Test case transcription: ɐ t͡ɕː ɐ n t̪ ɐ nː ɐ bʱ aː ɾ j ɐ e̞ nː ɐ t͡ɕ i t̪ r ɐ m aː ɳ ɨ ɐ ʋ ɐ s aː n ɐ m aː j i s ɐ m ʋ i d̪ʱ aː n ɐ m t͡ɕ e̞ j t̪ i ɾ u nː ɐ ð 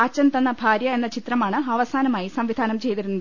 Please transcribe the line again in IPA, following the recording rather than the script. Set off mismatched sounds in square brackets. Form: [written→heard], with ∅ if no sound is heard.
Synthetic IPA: ɐ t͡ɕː ɐ n t̪ ɐ nː ɐ bʱ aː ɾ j ɐ e̞ nː ɐ t͡ɕ i t̪ r ɐ m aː ɳ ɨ ɐ ʋ ɐ s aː n ɐ m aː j i s ɐ m ʋ i d̪ʱ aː n ɐ m t͡ɕ e̞ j t̪ i ɾ u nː ɐ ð

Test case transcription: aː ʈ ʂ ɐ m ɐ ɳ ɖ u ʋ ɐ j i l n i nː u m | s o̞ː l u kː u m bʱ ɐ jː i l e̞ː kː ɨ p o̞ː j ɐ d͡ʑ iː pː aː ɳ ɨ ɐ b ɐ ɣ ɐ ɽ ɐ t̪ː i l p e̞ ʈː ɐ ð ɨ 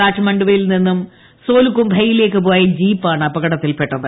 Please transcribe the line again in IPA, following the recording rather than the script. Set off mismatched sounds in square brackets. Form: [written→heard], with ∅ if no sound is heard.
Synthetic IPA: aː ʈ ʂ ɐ m ɐ ɳ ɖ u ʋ ɐ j i l n i nː u m | s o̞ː l u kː u m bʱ ɐ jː i l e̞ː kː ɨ p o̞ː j ɐ d͡ʑ iː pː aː ɳ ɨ ɐ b ɐ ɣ ɐ ɽ ɐ t̪ː i l p e̞ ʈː ɐ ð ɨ

